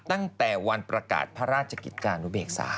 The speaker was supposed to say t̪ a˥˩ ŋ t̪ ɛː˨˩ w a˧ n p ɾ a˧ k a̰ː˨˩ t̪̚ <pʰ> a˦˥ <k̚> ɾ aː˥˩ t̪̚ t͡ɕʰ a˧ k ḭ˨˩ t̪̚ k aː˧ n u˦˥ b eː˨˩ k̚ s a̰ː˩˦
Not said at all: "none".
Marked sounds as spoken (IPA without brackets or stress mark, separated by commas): pʰ, none